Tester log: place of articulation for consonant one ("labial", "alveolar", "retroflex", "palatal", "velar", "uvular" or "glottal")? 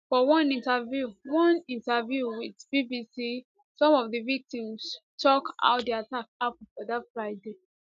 labial